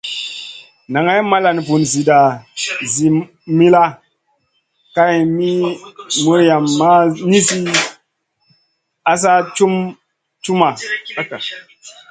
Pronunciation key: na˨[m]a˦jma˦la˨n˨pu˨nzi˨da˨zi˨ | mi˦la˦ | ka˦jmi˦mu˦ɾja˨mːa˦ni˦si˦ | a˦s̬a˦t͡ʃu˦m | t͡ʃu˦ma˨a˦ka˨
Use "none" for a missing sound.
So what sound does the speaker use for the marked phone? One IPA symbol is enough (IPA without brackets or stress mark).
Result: ŋ